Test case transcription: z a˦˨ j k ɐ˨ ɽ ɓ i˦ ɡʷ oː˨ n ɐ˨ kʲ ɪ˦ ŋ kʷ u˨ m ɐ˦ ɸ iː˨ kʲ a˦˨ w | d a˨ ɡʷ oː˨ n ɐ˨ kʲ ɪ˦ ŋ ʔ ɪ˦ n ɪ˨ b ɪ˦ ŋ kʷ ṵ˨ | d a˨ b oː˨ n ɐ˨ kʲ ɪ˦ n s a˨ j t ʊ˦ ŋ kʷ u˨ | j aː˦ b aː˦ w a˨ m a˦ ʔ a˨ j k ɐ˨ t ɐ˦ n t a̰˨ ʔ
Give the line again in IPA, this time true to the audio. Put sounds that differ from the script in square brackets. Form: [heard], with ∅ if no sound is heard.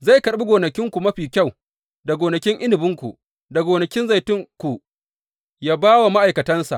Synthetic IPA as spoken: z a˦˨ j k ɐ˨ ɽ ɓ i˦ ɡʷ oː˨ n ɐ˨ kʲ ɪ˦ ŋ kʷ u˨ m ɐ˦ ɸ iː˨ kʲ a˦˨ w | d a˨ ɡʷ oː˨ n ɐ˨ kʲ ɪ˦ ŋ ʔ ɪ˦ n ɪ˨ b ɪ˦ ŋ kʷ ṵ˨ | d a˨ [ɡ] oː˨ n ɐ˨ kʲ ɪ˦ n [z] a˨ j t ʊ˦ ŋ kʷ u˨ | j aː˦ b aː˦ w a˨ m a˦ ʔ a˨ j k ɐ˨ t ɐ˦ n [s] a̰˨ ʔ

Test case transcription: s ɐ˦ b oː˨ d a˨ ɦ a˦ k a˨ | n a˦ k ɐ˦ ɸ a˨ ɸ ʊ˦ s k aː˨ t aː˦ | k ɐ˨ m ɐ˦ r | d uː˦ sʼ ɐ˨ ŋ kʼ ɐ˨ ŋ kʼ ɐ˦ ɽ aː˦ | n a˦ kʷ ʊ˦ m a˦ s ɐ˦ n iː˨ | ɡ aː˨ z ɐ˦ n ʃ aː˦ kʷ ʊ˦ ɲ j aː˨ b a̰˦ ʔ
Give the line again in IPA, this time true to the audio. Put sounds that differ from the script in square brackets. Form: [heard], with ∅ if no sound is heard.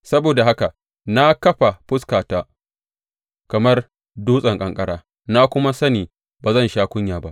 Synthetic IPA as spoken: s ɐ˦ b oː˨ d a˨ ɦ a˦ k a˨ | n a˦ k ɐ˦ ɸ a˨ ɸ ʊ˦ s k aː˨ t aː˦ | k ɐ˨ m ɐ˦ r | d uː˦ sʼ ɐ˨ ŋ kʼ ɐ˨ ŋ kʼ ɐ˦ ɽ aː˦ | n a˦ kʷ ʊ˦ m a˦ s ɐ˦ n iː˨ | [b] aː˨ z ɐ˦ n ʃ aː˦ kʷ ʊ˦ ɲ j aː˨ b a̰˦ ʔ

